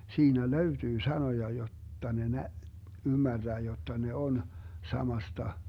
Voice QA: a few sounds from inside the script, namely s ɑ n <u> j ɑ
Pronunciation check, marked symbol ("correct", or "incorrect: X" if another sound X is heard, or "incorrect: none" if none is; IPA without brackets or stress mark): incorrect: o